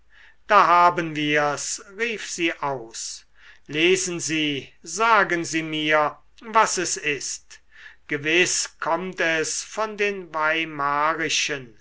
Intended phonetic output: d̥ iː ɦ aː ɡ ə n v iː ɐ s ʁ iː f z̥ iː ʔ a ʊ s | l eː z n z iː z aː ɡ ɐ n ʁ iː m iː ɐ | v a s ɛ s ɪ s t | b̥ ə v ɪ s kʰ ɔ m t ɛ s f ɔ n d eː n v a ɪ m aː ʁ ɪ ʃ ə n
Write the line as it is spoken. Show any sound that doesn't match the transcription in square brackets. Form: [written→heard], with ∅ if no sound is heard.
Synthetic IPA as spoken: d̥ [iː→aː] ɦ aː [ɡ→b] ə n v iː ɐ s ʁ iː f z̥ iː ʔ a ʊ s | l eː z n z iː z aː ɡ [ɐ→ə] n [ʁ→z] iː m iː ɐ | v a s ɛ s ɪ s t | [b̥→ɡ̥] ə v ɪ s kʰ ɔ m t ɛ s f ɔ n d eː n v a ɪ m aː ʁ ɪ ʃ ə n